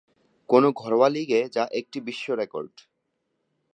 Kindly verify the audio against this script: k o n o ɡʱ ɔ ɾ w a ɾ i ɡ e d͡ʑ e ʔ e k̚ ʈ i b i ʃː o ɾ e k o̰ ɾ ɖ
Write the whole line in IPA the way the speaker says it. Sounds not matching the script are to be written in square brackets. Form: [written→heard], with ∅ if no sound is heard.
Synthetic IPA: k o n o ɡʱ ɔ ɾ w a [ɾ→l] i ɡ e d͡ʑ [e→a] ʔ e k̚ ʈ i b i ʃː o ɾ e k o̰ ɾ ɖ